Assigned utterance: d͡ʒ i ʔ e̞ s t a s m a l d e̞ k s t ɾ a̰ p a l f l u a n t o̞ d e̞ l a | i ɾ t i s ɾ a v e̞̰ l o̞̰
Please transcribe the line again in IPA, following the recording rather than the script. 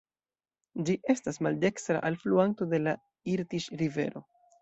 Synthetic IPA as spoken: d͡ʒ i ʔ e̞ s t a s m a l d e̞ k s t ɾ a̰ ʔ a l f l u a n t o̞ d e̞ l a | i ɾ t i ʃ ɾ i v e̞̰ ɾ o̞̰